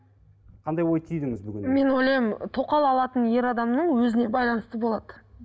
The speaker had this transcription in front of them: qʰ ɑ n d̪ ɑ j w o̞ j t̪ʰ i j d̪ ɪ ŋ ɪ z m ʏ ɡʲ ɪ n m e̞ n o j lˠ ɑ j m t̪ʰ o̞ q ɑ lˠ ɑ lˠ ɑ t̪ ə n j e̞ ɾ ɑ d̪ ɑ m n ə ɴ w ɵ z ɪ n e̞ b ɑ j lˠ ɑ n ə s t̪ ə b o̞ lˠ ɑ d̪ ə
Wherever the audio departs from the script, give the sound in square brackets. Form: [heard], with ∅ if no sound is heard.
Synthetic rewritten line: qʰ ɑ n d̪ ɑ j w o̞ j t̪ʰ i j d̪ ɪ ŋ ɪ z [b] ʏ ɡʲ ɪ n m e̞ n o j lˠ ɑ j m t̪ʰ o̞ q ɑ lˠ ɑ lˠ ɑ t̪ ə n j e̞ ɾ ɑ d̪ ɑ m n ə ɴ w ɵ z ɪ n e̞ b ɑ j lˠ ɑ n ə s t̪ ə b o̞ lˠ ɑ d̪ ə